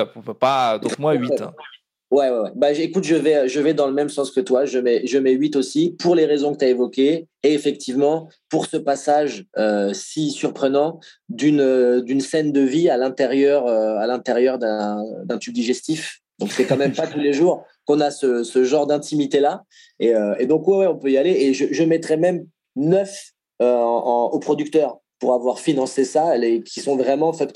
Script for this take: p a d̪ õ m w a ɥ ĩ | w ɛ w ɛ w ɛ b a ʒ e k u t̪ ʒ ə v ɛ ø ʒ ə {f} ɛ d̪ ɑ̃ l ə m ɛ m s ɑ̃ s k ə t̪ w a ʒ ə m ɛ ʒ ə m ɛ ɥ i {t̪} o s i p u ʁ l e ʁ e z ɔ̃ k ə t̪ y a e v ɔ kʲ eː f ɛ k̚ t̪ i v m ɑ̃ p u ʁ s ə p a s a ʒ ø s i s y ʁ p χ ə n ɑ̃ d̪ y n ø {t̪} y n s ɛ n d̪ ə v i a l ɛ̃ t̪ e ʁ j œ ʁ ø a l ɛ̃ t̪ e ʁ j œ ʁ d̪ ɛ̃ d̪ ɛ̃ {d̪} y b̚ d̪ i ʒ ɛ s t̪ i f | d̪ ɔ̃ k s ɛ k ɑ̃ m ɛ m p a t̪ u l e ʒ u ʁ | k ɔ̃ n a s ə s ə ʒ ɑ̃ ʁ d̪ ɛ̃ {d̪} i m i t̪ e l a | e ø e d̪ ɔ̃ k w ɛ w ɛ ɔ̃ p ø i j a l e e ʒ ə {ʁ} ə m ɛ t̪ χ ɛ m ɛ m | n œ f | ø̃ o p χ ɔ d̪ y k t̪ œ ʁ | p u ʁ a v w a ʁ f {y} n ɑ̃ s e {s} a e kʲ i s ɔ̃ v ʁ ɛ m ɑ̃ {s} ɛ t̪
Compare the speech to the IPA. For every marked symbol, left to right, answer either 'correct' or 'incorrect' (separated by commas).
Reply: incorrect, correct, incorrect, incorrect, incorrect, incorrect, incorrect, correct, incorrect